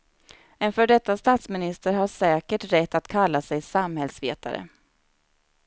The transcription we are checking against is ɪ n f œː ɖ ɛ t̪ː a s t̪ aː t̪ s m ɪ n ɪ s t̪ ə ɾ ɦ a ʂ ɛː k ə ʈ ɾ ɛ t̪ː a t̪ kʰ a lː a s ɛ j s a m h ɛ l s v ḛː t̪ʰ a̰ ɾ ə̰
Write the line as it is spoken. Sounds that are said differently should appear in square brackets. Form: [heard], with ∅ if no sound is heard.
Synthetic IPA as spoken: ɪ n f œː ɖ ɛ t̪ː a s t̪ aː t̪ s m ɪ n ɪ s t̪ ə ɾ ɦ a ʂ ɛː k ə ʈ ɾ ɛ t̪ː a t̪ kʰ a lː a s ɛ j s a m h ɛ l s v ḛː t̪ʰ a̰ ɾ ə̰